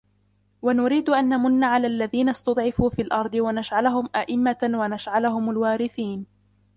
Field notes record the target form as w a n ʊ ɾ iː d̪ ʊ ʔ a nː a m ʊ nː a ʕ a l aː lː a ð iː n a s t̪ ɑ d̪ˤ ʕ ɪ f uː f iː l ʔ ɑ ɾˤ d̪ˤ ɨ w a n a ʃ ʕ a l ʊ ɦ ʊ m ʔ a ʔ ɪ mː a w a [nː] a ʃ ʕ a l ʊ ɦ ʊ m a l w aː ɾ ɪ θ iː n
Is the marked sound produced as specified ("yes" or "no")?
no